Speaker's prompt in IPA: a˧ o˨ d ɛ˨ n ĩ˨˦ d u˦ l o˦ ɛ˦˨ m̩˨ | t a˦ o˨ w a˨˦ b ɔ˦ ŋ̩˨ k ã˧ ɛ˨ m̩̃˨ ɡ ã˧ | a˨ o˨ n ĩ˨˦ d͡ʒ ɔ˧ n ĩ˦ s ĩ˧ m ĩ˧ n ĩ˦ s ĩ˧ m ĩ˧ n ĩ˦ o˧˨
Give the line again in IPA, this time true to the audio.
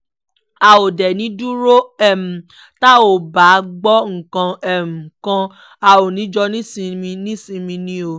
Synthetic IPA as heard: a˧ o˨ d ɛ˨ n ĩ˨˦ d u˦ ɾ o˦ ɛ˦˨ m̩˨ | t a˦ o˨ b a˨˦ ɡ͡b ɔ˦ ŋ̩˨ k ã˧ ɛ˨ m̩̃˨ k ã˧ | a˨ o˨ n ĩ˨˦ d͡ʒ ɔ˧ n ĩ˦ s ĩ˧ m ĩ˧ n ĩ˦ s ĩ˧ m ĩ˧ n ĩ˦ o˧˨